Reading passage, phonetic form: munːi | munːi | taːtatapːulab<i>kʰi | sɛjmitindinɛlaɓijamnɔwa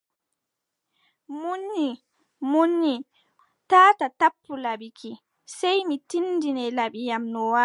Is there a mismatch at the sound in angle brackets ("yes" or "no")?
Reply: no